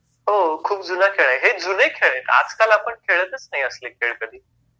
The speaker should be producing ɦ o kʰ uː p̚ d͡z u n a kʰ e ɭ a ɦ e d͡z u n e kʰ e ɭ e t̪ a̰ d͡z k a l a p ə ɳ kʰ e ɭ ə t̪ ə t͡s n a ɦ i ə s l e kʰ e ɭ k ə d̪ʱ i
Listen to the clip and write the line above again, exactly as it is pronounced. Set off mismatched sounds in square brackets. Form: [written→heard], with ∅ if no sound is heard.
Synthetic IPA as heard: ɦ o kʰ uː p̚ d͡z u n a kʰ e ɭ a ɦ e d͡z u n e kʰ e ɭ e t̪ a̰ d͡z k a l a p ə ɳ kʰ e ɭ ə t̪ ə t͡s n a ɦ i ə s l e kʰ e ɭ k ə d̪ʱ [i→iː]